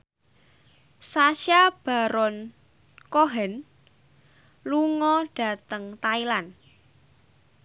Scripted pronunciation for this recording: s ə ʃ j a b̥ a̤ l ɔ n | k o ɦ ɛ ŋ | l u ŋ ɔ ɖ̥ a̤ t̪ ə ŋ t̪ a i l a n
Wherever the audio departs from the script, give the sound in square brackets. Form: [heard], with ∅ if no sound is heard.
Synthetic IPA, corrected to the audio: s [a] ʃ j a b̥ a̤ [ɾ] ɔ n | k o ɦ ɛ [n] | l u ŋ ɔ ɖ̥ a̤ t̪ ə ŋ t̪ a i l a n